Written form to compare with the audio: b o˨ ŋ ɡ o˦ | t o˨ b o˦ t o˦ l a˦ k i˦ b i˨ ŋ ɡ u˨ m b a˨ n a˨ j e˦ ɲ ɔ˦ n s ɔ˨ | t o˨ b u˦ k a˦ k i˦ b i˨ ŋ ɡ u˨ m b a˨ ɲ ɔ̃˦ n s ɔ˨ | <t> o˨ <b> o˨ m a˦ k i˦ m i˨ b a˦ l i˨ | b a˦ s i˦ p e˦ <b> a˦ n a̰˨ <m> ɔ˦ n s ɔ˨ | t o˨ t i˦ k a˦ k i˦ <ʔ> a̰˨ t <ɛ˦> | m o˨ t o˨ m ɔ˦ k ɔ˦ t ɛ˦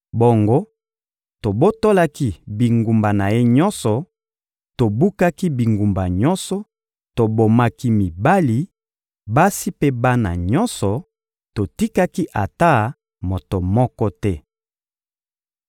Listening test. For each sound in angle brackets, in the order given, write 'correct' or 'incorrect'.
correct, correct, correct, incorrect: ɲ, correct, incorrect: a˦

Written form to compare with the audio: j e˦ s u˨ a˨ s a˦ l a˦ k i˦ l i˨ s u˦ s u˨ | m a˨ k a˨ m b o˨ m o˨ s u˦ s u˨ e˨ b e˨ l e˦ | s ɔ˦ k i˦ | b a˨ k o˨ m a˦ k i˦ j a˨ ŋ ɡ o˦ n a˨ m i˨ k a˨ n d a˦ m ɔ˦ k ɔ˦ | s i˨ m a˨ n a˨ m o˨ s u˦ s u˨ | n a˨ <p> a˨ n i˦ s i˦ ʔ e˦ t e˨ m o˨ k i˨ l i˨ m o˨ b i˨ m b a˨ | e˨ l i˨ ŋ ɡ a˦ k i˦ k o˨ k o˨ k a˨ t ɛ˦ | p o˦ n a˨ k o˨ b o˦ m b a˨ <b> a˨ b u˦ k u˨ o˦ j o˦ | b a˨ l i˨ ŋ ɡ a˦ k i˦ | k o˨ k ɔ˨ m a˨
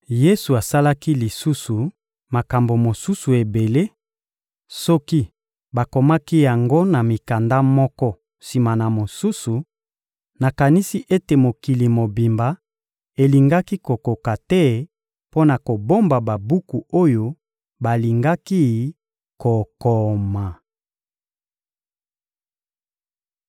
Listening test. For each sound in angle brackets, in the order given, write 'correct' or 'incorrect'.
incorrect: k, correct

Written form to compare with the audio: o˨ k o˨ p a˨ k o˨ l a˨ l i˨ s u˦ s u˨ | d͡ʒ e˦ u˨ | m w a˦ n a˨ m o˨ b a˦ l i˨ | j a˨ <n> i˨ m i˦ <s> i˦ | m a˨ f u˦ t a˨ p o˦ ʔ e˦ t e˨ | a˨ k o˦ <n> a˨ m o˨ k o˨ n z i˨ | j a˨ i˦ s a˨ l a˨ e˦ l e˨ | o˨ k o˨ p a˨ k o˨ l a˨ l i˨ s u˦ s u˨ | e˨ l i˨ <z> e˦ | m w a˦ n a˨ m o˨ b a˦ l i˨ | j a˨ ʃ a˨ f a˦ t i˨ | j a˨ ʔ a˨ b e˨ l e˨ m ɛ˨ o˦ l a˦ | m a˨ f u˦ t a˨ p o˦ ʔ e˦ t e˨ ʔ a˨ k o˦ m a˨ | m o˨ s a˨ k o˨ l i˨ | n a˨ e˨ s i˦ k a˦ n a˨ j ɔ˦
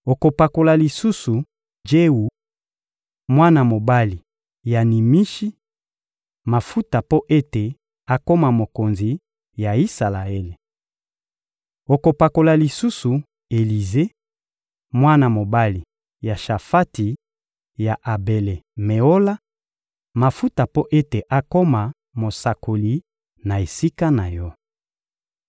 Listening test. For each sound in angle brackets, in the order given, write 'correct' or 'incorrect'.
correct, incorrect: ʃ, incorrect: m, correct

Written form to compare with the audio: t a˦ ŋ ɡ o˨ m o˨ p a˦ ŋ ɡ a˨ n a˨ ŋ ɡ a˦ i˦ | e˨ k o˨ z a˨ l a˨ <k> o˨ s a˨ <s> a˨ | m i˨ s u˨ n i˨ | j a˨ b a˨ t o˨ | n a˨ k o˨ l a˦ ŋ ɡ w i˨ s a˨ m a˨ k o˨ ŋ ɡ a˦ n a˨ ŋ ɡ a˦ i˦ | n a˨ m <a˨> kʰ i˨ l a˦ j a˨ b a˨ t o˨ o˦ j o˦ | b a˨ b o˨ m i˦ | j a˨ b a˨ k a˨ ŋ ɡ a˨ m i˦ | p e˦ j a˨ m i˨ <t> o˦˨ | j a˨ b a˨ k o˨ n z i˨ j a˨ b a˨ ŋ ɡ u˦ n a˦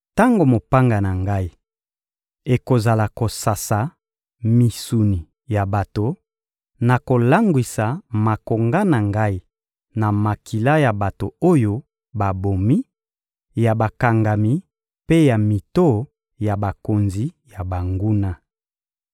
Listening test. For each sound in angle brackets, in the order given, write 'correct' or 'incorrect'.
correct, correct, correct, correct

